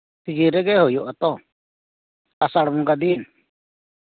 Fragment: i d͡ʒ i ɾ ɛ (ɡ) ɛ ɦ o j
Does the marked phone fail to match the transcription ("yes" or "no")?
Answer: no